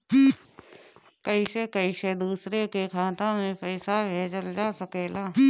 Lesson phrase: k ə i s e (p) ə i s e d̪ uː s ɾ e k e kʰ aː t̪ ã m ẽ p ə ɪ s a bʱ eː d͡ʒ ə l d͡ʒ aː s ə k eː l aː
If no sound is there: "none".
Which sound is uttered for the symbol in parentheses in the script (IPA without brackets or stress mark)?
k